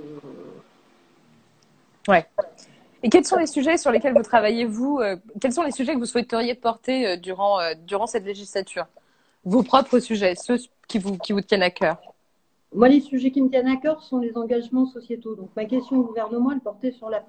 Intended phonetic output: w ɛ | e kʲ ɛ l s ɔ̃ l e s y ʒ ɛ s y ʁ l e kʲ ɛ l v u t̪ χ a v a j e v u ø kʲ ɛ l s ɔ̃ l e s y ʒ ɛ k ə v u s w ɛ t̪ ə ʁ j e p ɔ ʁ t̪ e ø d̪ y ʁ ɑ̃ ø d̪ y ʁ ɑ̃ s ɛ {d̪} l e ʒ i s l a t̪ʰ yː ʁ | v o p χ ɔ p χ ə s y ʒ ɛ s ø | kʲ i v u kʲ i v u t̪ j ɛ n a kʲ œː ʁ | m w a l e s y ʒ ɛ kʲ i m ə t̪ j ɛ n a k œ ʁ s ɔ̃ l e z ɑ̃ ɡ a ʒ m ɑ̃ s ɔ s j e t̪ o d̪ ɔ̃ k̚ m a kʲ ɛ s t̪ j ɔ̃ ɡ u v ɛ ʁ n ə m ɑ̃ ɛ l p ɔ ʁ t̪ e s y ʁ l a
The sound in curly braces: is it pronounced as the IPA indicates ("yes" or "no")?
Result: no